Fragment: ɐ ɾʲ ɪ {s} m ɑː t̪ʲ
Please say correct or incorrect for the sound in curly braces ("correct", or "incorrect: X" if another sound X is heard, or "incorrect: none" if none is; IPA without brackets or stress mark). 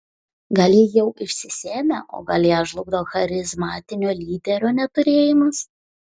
incorrect: z